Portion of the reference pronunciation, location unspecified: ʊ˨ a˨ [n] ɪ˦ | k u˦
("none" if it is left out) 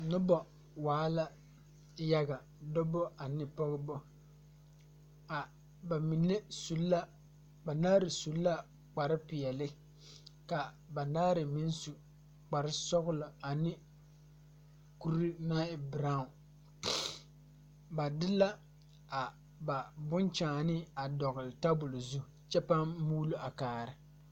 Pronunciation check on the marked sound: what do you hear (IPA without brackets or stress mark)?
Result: n